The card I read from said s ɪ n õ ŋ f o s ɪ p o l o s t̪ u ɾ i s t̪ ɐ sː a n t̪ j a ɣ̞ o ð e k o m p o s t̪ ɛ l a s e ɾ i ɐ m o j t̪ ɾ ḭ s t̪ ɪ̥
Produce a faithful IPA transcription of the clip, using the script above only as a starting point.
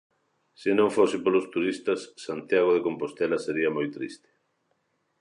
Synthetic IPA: s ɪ n õ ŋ f o s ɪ p o l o s t̪ u ɾ i s t̪ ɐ sː a n t̪ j a ɣ̞ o ð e k o m p o s t̪ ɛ l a s e ɾ i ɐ m o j t̪ ɾ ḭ s t̪ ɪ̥